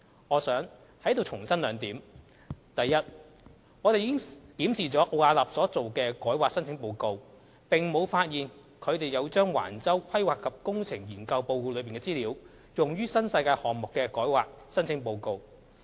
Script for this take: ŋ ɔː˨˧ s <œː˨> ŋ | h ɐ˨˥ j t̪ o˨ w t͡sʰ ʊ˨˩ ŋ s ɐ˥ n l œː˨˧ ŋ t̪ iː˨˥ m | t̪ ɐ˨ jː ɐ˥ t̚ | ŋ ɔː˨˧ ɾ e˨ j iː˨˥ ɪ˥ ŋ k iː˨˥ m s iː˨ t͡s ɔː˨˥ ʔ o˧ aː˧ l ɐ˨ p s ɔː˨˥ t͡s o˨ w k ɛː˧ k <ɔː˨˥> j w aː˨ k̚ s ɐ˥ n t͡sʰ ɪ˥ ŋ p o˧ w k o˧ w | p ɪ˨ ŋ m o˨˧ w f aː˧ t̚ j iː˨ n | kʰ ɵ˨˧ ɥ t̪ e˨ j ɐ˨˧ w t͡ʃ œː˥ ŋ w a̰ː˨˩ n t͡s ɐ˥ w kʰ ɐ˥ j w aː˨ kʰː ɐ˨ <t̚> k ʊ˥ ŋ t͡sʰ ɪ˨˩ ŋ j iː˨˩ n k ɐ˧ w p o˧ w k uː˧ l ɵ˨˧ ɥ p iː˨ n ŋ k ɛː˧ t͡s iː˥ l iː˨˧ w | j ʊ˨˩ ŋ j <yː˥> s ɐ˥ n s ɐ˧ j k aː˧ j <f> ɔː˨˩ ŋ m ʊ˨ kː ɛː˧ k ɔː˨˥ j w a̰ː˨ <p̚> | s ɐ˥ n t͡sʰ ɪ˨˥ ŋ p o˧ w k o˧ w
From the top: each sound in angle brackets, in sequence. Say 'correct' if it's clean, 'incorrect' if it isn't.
incorrect: œː˨˥, correct, incorrect: p̚, correct, incorrect: h, incorrect: k̚

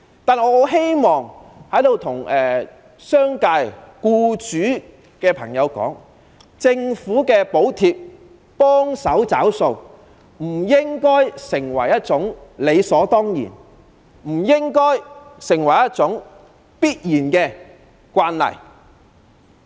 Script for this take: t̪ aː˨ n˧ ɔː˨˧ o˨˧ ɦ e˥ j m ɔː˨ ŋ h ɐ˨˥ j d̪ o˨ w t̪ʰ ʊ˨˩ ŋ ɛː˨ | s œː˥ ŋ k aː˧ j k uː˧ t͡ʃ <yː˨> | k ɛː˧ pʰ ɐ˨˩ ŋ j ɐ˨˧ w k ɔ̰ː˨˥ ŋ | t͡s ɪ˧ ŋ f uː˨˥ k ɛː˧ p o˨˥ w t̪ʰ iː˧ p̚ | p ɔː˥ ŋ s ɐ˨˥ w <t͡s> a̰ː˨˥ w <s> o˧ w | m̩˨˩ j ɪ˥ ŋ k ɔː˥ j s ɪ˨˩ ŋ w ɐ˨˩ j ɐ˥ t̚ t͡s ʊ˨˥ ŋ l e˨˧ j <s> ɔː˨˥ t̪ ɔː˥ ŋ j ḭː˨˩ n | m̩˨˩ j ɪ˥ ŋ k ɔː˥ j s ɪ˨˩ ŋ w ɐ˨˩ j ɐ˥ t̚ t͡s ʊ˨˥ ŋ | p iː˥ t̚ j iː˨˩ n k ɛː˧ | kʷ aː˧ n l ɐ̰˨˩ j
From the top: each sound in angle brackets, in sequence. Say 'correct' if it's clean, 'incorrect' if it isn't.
incorrect: yː˨˥, correct, correct, correct

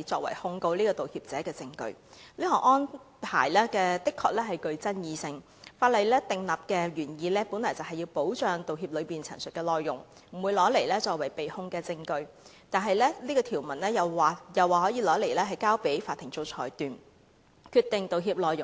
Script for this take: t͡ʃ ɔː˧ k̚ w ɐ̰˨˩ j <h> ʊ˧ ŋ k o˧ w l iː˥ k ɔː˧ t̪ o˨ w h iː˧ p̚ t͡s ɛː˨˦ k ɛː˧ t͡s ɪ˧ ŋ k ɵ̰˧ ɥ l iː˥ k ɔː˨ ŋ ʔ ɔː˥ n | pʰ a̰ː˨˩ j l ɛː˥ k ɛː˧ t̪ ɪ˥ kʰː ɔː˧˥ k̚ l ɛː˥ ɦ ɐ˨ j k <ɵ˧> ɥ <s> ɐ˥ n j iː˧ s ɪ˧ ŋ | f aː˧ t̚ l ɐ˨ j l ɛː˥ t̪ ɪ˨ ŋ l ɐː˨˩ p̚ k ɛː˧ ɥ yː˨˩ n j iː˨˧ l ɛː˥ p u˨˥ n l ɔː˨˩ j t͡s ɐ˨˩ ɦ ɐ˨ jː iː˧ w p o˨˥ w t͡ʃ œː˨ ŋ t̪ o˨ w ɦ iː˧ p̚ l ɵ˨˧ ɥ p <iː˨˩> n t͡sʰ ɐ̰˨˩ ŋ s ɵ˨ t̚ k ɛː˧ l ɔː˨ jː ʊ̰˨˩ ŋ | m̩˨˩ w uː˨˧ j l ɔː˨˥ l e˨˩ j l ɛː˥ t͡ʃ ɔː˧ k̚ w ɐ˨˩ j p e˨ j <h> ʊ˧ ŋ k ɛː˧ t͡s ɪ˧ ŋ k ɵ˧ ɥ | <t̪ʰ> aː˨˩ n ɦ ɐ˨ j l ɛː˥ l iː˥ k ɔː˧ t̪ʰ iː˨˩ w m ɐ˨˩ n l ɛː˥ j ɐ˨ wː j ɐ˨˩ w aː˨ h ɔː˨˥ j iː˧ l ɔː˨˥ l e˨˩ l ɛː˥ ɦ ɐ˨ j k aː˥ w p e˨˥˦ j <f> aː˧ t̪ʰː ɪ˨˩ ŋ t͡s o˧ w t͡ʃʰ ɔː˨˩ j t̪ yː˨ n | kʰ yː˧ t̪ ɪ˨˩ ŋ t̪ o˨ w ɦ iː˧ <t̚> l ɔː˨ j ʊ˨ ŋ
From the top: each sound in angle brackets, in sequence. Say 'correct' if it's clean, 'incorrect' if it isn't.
correct, correct, incorrect: t͡s, correct, correct, incorrect: t̪, correct, incorrect: p̚

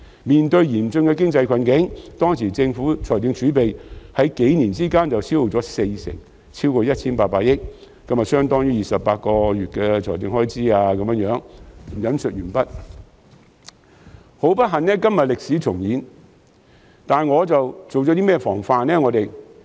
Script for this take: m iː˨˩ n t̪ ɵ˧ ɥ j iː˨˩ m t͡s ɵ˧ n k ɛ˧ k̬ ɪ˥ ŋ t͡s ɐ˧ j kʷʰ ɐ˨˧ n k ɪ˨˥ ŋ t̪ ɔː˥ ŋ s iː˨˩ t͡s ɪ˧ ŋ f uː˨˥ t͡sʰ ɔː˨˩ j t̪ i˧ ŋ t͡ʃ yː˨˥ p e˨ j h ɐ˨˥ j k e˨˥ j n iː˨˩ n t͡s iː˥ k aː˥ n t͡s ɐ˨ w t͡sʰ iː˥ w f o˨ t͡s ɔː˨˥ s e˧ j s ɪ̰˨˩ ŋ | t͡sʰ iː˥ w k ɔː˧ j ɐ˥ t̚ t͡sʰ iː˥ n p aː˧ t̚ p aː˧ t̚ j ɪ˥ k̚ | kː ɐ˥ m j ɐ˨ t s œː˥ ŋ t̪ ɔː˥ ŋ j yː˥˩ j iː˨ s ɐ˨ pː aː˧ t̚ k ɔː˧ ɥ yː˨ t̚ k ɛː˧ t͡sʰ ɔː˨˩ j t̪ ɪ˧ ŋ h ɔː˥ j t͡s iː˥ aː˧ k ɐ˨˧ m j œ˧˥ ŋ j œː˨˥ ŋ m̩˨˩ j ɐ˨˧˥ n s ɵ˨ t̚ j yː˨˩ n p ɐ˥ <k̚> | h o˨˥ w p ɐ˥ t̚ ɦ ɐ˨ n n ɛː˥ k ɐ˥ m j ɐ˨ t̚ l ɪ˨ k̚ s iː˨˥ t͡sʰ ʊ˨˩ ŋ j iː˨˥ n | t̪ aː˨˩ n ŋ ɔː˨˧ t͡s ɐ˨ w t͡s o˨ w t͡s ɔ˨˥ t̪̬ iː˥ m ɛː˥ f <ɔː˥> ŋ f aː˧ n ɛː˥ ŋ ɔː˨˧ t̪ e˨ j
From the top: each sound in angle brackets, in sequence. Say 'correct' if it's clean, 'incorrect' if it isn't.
incorrect: t̚, incorrect: ɔː˨˩

